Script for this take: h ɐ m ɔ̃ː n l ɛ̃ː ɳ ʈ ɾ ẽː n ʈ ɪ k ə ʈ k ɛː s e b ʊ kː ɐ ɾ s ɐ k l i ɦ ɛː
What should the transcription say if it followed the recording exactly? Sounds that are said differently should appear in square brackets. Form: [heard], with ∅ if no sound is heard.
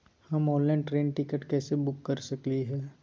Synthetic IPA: h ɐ m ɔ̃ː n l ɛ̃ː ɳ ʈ ɾ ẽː n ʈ ɪ k ə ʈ k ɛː s e b ʊ kː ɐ ɾ s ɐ k l i ɦ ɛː